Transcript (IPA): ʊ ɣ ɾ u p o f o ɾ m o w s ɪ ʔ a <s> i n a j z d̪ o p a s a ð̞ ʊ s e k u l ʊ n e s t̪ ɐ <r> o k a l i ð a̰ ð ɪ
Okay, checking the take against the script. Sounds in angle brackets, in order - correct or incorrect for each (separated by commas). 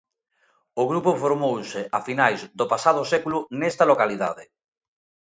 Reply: incorrect, incorrect